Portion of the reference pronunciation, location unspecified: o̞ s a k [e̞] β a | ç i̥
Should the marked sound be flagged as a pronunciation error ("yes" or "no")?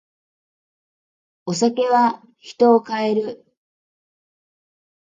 no